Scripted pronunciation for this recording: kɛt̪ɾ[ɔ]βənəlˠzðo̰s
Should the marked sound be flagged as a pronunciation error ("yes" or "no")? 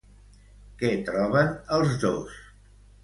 no